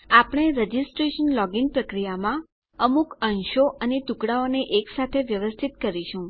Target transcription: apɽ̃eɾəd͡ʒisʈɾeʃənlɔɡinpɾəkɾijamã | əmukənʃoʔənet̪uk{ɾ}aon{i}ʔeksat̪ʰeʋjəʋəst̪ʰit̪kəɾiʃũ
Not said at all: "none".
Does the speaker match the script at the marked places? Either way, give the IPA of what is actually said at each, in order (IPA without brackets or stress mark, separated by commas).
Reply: ɽ, e